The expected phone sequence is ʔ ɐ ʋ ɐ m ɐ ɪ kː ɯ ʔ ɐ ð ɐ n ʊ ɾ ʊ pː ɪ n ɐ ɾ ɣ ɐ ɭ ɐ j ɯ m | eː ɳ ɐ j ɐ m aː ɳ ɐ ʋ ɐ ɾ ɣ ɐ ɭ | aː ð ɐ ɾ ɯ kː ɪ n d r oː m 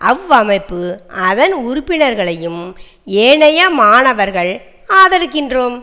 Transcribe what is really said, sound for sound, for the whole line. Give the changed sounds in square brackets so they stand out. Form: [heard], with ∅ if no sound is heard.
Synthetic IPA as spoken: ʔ ɐ ʋ ɐ m ɐ ɪ [pː] ɯ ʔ ɐ ð ɐ n ʊ ɾ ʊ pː ɪ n ɐ ɾ ɣ ɐ ɭ ɐ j ɯ m | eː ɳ ɐ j ɐ m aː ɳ ɐ ʋ ɐ ɾ ɣ ɐ ɭ | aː ð ɐ ɾ ɯ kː ɪ n d r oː m